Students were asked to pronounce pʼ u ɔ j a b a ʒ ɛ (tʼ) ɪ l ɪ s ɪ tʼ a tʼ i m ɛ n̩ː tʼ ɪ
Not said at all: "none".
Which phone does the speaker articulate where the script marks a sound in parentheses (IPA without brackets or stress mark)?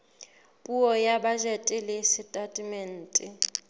tʼ